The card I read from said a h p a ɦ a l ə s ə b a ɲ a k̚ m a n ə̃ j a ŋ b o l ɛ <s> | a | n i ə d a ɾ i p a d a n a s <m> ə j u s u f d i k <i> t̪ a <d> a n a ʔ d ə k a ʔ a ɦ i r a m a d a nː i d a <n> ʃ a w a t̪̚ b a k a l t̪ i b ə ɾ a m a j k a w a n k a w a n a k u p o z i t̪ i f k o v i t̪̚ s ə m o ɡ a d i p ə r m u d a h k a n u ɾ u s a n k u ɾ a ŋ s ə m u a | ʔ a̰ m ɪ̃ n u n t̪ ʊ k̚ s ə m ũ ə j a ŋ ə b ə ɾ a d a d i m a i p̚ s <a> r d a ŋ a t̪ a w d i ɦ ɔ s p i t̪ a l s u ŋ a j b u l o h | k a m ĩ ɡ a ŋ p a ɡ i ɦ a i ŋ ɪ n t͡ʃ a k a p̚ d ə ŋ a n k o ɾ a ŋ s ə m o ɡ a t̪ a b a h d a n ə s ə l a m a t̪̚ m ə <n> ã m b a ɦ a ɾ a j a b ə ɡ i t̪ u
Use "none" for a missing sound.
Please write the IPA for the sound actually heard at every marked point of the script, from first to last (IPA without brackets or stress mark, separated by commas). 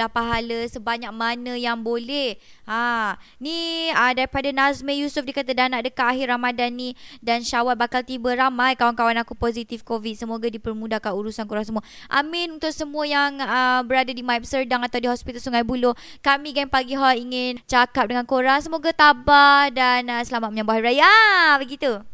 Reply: h, m, a, d, n, ə, ɲ